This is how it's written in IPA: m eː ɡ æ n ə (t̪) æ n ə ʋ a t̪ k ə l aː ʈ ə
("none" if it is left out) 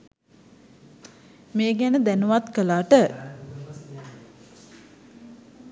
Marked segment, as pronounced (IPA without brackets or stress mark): d̪